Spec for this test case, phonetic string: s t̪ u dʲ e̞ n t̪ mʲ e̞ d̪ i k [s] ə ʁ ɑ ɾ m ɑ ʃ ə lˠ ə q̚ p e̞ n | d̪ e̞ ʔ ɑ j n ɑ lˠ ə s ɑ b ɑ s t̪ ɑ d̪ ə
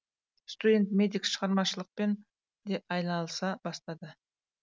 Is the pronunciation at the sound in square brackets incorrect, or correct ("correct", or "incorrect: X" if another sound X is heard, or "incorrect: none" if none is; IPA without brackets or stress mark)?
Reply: incorrect: ʃ